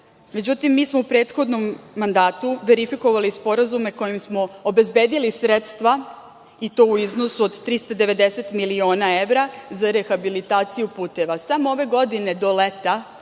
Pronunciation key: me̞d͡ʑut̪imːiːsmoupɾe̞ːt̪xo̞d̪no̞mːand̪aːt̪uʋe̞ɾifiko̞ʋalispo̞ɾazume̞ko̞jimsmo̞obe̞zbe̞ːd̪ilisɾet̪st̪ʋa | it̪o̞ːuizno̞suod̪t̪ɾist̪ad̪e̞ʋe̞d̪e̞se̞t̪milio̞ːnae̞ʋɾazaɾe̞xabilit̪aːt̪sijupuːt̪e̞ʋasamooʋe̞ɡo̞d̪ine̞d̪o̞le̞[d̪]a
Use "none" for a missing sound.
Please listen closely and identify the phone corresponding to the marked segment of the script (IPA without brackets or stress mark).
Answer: t̪